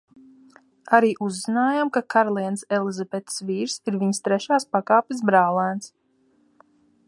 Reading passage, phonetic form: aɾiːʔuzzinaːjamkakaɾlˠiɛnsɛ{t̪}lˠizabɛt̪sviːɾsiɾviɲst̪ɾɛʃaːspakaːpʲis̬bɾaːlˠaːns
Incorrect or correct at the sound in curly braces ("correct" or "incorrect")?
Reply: incorrect